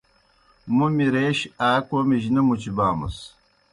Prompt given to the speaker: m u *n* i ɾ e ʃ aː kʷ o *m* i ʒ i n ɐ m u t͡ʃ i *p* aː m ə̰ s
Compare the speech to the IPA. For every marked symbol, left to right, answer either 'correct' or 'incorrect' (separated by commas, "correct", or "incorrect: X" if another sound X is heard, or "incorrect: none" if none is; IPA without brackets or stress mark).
incorrect: m, correct, incorrect: b